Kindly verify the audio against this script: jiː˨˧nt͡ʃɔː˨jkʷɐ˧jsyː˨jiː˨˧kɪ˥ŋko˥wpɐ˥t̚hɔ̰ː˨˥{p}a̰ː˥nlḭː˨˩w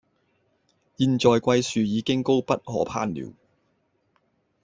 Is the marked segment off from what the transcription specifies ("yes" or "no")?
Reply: yes